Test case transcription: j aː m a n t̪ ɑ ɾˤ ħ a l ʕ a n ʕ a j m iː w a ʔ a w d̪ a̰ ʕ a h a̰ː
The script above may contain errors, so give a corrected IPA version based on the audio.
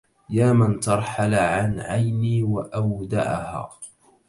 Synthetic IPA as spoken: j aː m a n t̪ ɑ ɾˤ ħ a l ʕ a n ʕ a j n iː w a ʔ a w d̪ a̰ ʕ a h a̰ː